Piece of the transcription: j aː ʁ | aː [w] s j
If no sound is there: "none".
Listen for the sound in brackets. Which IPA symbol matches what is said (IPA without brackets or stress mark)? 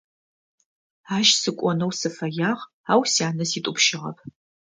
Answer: w